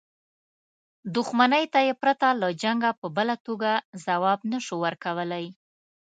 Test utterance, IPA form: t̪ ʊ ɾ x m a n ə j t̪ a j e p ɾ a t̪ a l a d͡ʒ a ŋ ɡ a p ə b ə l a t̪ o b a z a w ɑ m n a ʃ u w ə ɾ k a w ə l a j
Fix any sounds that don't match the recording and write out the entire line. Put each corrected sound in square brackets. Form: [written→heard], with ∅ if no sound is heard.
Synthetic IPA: [t̪→d̪] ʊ [ɾ→∅] x m a n ə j t̪ a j e p ɾ a t̪ a l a d͡ʒ a ŋ ɡ a p ə b ə l a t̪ o [b→ɡ] a z a w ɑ [m→b] n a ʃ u w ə ɾ k a w ə l a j